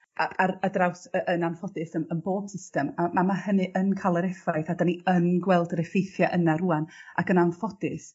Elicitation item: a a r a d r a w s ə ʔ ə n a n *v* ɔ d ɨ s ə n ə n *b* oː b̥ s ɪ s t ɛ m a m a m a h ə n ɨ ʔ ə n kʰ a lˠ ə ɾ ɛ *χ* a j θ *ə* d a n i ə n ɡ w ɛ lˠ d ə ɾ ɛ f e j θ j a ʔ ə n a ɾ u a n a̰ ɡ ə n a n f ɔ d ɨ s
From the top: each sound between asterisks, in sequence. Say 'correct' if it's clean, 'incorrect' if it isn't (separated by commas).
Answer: incorrect, correct, incorrect, incorrect